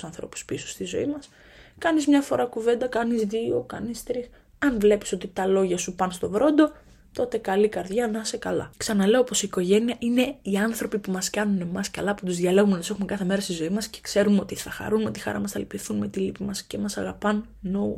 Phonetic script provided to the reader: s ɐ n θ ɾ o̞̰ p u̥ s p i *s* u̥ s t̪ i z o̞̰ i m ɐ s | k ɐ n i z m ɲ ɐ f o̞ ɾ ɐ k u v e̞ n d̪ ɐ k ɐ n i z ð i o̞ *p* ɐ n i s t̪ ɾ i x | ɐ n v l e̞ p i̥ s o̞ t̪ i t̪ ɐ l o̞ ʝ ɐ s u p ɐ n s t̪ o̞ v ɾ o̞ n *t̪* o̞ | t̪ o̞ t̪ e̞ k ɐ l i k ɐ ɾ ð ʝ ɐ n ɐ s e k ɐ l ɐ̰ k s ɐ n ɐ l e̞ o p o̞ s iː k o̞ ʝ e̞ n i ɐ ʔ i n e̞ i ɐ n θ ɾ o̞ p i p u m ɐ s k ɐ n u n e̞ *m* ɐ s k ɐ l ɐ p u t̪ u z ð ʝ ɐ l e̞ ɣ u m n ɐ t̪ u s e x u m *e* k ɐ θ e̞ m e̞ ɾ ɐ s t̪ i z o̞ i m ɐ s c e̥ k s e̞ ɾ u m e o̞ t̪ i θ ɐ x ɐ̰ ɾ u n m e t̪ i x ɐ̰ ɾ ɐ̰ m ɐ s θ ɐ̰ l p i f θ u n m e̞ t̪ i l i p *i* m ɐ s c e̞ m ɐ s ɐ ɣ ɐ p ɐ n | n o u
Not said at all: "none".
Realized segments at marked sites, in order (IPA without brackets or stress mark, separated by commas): s, k, d̪, m, e, i